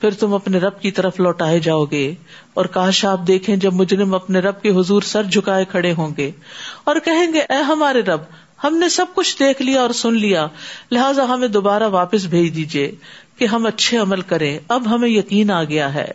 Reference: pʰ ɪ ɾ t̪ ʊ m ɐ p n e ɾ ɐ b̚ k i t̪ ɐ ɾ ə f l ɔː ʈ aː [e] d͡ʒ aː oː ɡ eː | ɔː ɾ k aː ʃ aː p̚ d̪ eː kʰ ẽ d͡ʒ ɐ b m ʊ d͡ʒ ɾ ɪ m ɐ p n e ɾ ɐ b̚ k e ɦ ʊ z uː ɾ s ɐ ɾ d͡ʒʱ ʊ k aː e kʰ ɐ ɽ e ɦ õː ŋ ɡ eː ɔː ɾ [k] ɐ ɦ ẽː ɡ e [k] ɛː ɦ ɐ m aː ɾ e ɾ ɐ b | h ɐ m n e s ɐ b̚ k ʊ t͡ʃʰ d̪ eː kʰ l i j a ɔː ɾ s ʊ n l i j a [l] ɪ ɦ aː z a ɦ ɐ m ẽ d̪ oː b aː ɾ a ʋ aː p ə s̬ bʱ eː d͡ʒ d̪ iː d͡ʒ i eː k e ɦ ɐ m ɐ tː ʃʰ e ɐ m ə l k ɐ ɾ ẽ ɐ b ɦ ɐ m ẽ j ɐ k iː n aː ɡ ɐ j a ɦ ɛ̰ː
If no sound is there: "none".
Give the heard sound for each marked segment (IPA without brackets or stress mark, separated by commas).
e, k, ʔ, l